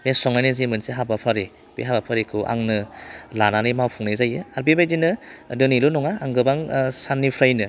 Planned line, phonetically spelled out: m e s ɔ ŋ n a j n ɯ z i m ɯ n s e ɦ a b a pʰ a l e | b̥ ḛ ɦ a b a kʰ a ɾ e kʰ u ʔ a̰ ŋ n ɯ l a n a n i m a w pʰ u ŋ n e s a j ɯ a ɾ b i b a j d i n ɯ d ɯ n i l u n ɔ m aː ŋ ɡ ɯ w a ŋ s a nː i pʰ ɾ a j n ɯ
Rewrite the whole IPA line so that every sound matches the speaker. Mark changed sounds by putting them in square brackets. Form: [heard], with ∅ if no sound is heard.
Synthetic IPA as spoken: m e s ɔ ŋ n a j n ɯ z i m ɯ n s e ɦ a b a pʰ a [ɾ] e | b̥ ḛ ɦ a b a [pʰ] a ɾ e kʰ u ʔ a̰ ŋ n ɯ l a n a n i m a w pʰ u ŋ n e [z] a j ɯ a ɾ b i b a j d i n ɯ d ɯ n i l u n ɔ [ŋ] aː ŋ ɡ ɯ [b] a ŋ s a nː i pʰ ɾ a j n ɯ